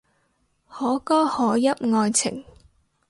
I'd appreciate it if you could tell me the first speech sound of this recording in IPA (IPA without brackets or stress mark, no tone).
h